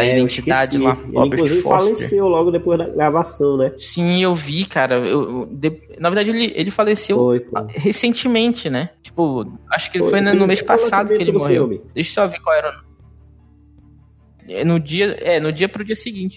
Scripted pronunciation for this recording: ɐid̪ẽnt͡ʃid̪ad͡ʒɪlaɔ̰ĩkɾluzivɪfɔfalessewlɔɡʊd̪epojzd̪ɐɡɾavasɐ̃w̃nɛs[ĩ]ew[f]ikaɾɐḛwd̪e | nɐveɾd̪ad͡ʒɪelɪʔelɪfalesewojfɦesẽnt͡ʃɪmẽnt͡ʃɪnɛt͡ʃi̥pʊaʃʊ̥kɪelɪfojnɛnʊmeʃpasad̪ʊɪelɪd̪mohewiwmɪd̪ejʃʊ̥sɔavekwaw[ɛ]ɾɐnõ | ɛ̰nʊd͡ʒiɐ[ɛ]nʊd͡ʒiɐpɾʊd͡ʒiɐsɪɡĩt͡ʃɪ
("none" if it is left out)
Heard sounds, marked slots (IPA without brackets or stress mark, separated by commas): ĩ, v, ɛ, ɛ